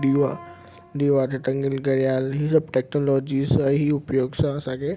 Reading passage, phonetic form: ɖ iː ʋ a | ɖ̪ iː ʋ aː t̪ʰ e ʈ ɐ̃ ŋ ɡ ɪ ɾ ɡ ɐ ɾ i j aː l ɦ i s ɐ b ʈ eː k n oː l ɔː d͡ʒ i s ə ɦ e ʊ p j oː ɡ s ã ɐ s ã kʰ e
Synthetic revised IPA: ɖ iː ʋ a | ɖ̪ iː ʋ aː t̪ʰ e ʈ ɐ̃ ŋ ɡ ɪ l ɡ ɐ ɾ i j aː l ɦ i s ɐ b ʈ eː k n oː l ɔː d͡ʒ i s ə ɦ i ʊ p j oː ɡ s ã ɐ s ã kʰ e